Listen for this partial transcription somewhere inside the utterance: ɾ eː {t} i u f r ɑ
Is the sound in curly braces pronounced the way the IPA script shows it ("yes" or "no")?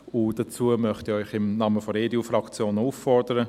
no